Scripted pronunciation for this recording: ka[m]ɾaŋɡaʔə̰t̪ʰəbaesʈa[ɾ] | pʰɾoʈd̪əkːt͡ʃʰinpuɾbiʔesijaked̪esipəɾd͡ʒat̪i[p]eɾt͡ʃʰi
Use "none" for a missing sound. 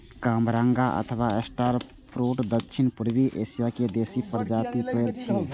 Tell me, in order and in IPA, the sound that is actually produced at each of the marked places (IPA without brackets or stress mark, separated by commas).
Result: m, ɾ, p